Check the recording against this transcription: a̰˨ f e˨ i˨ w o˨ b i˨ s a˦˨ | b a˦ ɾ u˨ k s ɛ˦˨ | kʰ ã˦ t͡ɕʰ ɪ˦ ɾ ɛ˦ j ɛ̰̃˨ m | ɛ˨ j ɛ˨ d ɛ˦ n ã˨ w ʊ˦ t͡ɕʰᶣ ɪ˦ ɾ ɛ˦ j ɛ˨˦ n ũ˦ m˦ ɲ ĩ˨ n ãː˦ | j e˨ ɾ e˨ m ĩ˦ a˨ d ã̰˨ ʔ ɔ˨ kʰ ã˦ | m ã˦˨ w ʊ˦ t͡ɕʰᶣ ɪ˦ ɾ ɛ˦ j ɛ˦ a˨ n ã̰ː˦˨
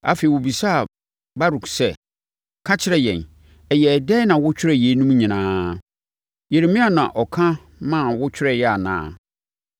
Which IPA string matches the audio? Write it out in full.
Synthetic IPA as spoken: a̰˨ f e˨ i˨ w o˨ b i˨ s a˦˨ | b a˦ ɾ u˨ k s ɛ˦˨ | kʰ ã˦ t͡ɕʰ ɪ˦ ɾ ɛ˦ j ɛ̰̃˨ n | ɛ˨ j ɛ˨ d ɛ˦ n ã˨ w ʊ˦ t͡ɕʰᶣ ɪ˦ ɾ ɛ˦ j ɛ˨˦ n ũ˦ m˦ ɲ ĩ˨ n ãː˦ | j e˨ ɾ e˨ m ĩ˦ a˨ n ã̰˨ ʔ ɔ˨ kʰ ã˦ | m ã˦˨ w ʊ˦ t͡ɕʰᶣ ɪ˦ ɾ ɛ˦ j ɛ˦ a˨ n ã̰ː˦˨

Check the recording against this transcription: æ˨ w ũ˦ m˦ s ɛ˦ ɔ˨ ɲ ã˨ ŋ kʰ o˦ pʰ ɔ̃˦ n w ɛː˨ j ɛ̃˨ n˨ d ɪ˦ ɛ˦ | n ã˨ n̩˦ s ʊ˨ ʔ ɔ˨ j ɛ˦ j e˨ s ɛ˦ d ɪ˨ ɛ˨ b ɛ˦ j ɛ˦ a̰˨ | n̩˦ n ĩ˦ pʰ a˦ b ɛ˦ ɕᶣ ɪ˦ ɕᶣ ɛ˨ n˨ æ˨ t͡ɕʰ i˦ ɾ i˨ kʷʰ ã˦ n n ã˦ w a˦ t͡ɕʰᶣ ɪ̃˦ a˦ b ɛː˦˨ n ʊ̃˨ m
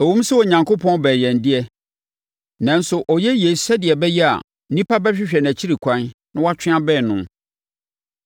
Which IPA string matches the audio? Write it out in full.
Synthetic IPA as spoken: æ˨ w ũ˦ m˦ s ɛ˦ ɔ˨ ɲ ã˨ ŋ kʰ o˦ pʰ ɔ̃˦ n b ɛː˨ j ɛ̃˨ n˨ d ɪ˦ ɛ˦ | n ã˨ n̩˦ s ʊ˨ ʔ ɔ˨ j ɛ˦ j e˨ s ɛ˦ d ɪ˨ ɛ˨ b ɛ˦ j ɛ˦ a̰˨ | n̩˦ n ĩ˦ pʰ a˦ b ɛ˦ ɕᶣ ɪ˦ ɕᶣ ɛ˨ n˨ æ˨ t͡ɕʰ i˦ ɾ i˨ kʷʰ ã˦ n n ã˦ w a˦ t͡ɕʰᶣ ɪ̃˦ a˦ b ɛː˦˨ n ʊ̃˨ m

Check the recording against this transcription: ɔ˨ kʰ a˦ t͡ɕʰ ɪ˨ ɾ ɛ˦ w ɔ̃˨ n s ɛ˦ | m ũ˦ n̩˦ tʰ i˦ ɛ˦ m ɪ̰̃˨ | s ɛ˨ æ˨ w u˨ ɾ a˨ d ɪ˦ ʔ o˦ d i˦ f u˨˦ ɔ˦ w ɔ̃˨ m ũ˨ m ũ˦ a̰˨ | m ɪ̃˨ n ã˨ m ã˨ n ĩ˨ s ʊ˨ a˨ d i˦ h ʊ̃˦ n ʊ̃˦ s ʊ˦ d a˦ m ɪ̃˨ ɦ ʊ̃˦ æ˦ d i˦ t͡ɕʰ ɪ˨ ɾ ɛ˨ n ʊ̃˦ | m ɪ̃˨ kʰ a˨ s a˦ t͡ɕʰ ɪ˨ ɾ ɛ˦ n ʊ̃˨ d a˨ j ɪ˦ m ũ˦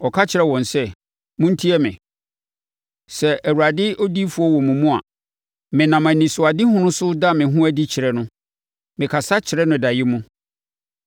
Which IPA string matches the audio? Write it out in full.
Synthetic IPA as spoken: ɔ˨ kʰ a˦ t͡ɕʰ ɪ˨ ɾ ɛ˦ w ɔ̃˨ n s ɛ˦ | m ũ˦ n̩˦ tʰ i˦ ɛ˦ m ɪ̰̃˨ | s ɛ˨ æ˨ w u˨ ɾ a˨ d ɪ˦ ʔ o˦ d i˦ f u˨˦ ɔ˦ w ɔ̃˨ m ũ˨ m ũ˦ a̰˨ | m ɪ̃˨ n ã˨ m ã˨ n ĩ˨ s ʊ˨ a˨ d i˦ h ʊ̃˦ n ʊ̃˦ s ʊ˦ d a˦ m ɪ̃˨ ɦ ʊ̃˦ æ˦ d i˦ t͡ɕʰ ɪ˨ ɾ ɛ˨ n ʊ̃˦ | m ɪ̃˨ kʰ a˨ s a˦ t͡ɕʰ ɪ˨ ɾ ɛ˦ n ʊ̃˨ d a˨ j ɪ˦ m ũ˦

